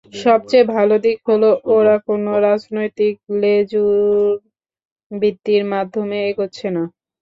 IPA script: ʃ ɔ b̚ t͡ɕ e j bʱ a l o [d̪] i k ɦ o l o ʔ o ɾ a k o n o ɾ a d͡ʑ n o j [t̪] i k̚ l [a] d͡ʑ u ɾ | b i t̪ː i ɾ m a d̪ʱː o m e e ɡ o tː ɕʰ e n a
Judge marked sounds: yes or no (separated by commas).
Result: yes, yes, no